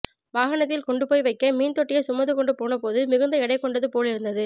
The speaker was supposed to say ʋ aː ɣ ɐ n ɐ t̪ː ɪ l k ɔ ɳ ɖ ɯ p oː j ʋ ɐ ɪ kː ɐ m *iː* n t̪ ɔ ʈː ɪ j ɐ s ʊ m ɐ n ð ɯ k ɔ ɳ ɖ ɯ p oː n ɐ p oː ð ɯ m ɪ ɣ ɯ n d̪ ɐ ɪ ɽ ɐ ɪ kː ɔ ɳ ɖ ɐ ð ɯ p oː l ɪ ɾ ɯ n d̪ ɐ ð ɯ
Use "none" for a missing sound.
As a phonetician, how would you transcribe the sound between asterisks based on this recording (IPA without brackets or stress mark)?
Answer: iː